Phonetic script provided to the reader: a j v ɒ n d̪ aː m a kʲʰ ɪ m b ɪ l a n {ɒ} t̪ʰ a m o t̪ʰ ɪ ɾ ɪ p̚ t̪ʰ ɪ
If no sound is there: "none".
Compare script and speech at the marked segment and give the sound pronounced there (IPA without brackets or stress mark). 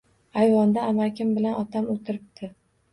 ɒ